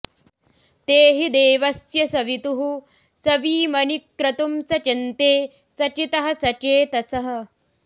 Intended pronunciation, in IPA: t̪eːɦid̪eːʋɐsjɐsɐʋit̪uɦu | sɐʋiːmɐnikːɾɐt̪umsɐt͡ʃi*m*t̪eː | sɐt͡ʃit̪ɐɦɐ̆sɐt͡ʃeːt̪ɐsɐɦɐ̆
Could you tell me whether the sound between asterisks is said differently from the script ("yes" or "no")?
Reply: yes